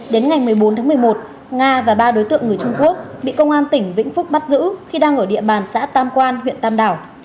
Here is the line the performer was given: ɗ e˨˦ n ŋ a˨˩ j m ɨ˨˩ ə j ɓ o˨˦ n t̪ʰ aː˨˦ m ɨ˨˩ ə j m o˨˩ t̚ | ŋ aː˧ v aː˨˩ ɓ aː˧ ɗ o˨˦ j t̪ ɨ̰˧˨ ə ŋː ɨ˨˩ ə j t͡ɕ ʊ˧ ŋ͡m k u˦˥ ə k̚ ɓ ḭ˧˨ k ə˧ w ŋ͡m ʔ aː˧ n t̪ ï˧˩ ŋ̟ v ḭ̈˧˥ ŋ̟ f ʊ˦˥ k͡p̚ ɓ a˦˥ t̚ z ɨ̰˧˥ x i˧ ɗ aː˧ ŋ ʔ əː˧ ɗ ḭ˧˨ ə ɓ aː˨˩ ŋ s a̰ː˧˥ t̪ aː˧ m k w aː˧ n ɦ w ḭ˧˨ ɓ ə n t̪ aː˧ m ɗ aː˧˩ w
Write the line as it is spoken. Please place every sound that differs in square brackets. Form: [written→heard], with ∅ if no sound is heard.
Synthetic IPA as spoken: ɗ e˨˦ n ŋ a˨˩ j m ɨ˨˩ ə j ɓ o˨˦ n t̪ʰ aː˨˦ m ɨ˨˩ ə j m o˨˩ t̚ | ŋ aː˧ v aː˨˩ ɓ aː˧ ɗ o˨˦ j t̪ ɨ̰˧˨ ə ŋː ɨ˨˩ ə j t͡ɕ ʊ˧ ŋ͡m k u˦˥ ə k̚ ɓ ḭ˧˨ k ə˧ w ŋ͡m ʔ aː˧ n t̪ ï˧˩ ŋ̟ v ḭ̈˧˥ ŋ̟ f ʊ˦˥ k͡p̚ ɓ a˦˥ t̚ z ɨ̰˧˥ x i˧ ɗ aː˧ ŋ ʔ [əː˧→əː˧˩] ɗ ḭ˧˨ ə ɓ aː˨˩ [ŋ→n] s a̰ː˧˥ t̪ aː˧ m k w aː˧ n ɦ w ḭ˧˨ [ɓ→∅] ə n t̪ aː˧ m ɗ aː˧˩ w